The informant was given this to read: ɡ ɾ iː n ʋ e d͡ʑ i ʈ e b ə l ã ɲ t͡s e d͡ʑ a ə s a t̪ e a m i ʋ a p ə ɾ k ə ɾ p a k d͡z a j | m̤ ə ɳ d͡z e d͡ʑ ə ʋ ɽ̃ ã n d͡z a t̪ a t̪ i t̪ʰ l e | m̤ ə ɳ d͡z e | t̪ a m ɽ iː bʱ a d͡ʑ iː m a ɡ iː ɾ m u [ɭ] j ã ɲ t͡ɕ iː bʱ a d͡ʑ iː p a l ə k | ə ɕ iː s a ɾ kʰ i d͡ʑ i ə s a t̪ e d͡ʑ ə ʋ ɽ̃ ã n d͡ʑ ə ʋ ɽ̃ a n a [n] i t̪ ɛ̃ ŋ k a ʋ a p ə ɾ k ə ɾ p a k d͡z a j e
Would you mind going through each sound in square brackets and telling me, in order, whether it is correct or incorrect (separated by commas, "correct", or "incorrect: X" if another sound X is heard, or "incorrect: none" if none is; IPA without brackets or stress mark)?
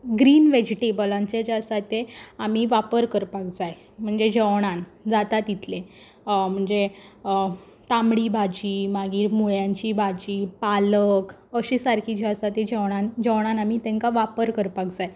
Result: correct, incorrect: m